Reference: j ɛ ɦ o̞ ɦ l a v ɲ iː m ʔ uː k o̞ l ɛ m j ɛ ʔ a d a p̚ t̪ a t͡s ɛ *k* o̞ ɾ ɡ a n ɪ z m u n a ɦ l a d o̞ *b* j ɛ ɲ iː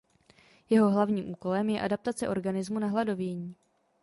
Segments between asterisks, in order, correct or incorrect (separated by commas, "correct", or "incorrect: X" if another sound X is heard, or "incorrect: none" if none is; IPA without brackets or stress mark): incorrect: ʔ, incorrect: v